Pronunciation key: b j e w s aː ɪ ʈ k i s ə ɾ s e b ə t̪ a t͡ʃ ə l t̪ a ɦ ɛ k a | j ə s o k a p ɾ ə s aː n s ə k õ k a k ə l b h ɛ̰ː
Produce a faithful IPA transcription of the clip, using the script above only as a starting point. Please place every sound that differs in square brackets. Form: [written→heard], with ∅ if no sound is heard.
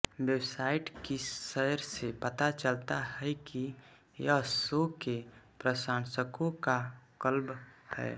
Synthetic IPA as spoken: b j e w s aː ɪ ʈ k i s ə ɾ s e [b→p] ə t̪ a t͡ʃ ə l t̪ a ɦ ɛ k [a→i] | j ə s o k [a→e] p ɾ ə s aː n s ə k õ k a k ə l b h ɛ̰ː